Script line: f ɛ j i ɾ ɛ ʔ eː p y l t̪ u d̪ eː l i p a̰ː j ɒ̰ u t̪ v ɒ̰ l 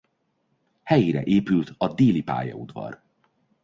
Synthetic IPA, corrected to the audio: h ɛ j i ɾ ɛ ʔ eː p y l t̪ ɒ d̪ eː l i p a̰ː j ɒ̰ u d̪ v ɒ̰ r